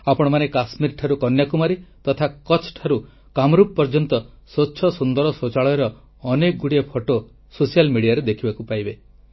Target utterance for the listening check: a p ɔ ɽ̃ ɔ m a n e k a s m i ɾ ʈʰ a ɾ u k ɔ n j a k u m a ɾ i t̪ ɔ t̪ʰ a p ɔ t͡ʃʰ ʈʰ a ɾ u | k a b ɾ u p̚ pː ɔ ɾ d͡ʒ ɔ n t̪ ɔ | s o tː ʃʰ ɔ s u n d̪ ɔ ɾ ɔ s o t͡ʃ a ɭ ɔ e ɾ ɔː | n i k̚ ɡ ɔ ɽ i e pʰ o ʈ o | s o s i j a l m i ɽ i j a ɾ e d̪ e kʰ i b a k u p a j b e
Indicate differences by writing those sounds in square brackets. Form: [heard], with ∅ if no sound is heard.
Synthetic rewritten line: a p ɔ ɽ̃ ɔ m a n e k a s m i ɾ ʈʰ a ɾ u k ɔ n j a k u m a ɾ i t̪ ɔ t̪ʰ a [k] ɔ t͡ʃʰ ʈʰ a ɾ u | k a [m] ɾ u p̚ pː ɔ ɾ d͡ʒ ɔ n t̪ ɔ | s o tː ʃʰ ɔ s u n d̪ ɔ ɾ ɔ s o t͡ʃ a ɭ ɔ e ɾ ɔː | n [e] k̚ ɡ [u] ɽ i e pʰ o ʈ o | s o s i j a l m i ɽ i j a ɾ e d̪ e kʰ i b a k u p a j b e